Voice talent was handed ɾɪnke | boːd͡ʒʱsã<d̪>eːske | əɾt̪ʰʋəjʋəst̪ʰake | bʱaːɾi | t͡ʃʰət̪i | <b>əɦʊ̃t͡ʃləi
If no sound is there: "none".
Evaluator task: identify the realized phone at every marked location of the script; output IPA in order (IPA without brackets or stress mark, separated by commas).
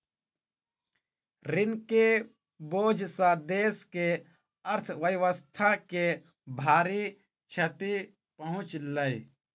d̪, p